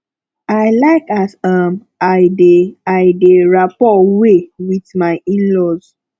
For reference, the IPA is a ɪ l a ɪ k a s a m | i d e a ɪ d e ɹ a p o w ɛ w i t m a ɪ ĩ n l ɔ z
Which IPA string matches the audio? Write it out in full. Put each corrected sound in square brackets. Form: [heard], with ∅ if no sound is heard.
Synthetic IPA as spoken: a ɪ l a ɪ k a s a m | [a] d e a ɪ d e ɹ a p [ɔ] w [e] w i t m a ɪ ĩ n l ɔ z